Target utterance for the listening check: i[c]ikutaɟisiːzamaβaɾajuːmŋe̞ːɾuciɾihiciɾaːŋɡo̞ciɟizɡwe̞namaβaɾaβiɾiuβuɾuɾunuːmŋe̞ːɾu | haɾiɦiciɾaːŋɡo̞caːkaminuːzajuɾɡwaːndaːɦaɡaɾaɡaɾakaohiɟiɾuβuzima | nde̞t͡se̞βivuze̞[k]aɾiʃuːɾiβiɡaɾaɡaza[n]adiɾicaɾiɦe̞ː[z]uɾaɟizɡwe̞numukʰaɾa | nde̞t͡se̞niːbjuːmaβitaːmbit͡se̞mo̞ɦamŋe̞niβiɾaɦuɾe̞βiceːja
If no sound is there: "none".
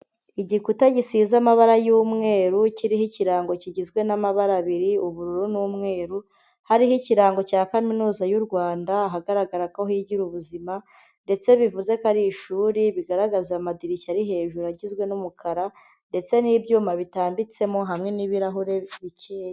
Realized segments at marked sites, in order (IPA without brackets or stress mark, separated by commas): ɟ, k, m, ʒ